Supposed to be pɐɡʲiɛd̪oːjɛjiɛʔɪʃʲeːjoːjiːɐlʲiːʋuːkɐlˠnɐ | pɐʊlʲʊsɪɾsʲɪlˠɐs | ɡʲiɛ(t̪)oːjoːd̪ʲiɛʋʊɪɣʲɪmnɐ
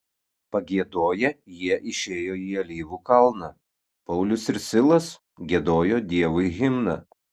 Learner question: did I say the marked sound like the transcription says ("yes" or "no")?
no